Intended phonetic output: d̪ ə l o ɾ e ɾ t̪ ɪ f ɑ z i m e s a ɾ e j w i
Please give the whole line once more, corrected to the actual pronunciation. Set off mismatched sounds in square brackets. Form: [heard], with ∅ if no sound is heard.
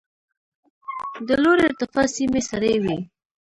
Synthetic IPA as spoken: d̪ ə l o ɾ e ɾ t̪ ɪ f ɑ [s] i m e s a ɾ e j w i